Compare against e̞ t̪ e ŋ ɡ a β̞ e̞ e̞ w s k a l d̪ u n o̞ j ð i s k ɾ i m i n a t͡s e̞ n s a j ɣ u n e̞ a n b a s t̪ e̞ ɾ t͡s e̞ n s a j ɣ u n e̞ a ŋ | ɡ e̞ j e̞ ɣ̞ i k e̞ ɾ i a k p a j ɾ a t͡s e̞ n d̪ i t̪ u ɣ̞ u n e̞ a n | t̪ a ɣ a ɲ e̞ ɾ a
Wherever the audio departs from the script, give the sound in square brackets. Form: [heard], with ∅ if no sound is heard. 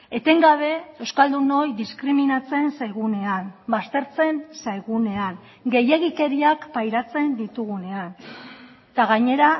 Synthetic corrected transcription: e̞ t̪ e ŋ ɡ a β̞ e̞ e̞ w s k a l d̪ u n o̞ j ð i s k ɾ i m i n a t͡s e̞ n s a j ɣ u n e̞ a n b a s t̪ e̞ ɾ t͡s e̞ n s a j ɣ u n e̞ a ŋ | ɡ e̞ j e̞ ɣ̞ i k e̞ ɾ i a k p a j ɾ a t͡s e̞ n d̪ i t̪ u ɣ̞ u n e̞ a n | t̪ a ɣ a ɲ e̞ ɾ a